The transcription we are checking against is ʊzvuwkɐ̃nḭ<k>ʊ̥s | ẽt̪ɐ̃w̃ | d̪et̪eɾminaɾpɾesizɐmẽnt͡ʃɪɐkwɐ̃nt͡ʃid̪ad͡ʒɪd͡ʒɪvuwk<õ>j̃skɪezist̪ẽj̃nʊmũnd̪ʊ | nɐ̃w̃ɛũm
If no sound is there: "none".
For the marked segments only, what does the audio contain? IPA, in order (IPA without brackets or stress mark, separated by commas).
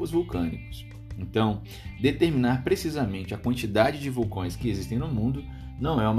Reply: k, õ